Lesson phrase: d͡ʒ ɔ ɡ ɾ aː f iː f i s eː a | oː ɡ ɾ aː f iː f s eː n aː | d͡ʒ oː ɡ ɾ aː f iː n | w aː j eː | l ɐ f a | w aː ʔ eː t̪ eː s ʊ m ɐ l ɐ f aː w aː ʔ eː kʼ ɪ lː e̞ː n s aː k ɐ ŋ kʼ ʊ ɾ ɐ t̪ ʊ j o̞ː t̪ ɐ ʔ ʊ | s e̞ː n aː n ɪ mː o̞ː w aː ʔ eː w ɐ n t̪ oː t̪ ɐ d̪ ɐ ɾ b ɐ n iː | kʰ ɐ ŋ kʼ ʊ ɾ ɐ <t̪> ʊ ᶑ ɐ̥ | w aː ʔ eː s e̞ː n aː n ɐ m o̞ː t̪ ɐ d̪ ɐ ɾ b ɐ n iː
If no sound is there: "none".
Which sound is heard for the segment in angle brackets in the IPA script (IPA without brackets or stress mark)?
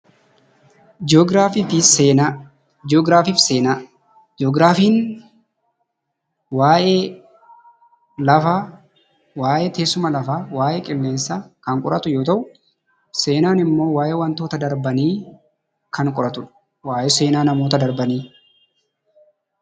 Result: t̪